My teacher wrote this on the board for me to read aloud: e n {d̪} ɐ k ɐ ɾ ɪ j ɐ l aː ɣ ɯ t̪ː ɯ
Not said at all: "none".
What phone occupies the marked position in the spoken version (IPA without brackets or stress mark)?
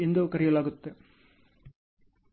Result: d̪